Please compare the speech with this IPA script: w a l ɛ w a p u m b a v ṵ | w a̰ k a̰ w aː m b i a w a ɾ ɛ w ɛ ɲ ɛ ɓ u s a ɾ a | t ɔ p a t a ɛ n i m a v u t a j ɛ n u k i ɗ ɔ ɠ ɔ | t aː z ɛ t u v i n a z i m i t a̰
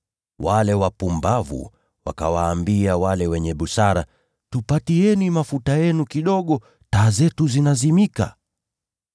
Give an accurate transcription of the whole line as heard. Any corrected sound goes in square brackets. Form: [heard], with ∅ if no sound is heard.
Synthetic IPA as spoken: w a l ɛ w a p u m b a v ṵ | w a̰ k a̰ w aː m b i a w a [l] ɛ w ɛ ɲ ɛ ɓ u s a ɾ a | t [u] p a t [i] ɛ n i m a [f] u t a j ɛ n u k i ɗ ɔ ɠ ɔ | t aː z ɛ t u [z] i n a z i m i [k] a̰